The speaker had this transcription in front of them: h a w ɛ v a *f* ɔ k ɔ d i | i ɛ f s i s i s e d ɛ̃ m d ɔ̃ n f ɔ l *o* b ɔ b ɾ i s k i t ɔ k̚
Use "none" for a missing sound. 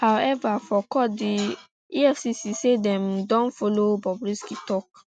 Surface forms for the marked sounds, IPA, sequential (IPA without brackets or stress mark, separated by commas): f, o